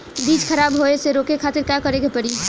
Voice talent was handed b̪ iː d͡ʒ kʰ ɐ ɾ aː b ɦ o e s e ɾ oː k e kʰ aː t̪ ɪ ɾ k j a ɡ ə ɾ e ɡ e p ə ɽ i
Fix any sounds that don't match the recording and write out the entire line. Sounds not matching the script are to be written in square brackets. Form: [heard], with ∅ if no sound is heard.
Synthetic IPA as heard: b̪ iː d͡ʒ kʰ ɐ ɾ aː b ɦ o e s e ɾ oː k e kʰ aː t̪ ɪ ɾ k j a [k] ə ɾ e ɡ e p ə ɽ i